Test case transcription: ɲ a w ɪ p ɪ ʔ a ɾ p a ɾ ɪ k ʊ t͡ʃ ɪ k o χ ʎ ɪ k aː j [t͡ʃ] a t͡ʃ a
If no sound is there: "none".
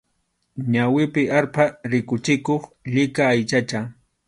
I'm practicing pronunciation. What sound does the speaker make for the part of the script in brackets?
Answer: t͡ʃ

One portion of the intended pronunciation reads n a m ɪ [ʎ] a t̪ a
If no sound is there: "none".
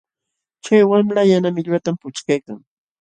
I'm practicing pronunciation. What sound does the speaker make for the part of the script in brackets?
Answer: ʎ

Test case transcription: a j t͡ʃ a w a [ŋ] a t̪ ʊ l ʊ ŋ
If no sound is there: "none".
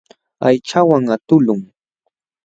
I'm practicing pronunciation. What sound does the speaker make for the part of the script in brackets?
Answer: ŋ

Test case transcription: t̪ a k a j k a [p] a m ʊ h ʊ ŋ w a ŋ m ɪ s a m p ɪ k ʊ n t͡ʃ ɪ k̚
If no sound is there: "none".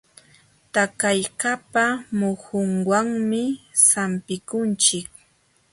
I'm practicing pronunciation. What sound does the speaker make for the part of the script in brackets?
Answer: p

